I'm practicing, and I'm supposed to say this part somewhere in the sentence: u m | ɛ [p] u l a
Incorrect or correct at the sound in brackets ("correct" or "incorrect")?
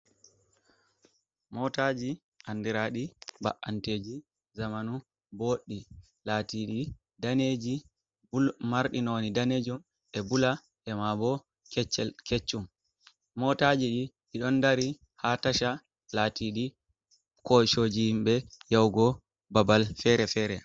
incorrect